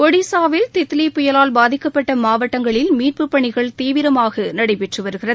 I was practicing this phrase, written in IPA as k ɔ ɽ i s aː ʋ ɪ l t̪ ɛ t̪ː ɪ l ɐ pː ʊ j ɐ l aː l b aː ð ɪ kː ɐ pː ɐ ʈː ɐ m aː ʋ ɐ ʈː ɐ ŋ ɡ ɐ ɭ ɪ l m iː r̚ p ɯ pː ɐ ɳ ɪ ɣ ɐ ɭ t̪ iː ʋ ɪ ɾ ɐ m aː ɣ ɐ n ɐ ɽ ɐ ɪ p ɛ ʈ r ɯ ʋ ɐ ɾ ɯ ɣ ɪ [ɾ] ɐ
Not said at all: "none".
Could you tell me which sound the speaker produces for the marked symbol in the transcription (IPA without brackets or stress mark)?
r